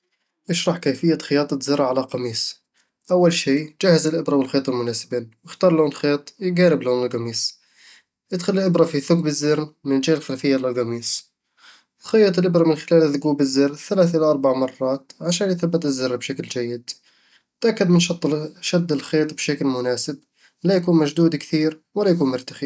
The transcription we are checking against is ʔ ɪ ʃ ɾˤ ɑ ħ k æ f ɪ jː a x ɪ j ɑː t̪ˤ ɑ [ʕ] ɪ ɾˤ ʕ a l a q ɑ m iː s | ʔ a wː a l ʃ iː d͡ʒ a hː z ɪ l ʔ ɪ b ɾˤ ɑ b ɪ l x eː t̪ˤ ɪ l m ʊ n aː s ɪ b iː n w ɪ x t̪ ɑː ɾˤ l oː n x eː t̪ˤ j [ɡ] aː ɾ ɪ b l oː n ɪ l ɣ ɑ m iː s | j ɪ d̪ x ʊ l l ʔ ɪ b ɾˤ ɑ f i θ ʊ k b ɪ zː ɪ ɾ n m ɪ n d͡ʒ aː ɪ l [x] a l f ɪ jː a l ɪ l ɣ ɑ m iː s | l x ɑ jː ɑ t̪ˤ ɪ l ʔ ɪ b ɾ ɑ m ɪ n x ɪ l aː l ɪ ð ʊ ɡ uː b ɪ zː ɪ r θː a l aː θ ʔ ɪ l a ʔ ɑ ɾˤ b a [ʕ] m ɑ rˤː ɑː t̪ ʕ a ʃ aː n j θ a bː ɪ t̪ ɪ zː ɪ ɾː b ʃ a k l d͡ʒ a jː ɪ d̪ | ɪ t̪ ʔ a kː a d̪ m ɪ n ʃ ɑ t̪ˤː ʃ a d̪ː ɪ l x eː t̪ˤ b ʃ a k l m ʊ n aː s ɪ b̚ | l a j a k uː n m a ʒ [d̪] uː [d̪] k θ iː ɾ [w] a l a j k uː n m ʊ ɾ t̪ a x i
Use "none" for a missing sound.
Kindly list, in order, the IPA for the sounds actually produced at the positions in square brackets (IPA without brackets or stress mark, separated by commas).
z, ɡ, x, ʕ, d̪, d̪, w